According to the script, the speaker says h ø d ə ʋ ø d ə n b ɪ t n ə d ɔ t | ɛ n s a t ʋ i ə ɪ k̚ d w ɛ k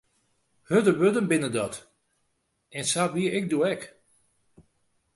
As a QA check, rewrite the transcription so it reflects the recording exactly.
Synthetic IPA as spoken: h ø d ə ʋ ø d ə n b ɪ n ə d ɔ t | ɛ n s a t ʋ i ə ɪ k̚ d u ɛ k